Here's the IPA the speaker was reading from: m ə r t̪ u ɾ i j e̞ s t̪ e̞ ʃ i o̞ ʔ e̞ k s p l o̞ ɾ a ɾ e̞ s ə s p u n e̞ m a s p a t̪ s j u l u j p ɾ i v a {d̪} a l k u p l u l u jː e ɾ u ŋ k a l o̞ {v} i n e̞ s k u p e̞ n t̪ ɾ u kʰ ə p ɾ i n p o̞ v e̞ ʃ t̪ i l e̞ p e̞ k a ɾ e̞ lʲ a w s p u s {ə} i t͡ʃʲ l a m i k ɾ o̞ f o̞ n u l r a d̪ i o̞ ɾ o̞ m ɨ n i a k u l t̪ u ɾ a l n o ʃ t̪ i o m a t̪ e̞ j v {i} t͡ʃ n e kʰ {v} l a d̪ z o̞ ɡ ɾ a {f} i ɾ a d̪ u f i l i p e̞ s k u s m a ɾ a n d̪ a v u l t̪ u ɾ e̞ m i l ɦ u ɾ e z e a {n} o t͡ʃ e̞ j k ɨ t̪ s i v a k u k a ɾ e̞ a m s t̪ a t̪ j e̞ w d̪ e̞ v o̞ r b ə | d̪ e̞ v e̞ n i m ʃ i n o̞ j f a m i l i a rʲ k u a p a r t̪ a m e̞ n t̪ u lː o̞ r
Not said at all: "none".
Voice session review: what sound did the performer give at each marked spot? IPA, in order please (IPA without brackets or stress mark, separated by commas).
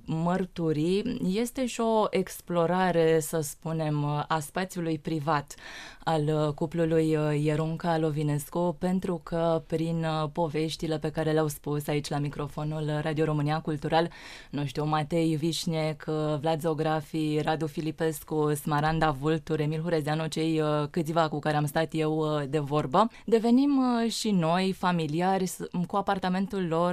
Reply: t̪, v, a, i, v, f, n